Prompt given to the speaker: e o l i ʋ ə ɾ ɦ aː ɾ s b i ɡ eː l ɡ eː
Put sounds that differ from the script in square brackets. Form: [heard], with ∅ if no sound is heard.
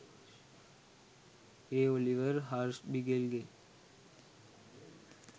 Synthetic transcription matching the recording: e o l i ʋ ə ɾ ɦ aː ɾ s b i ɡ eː l ɡ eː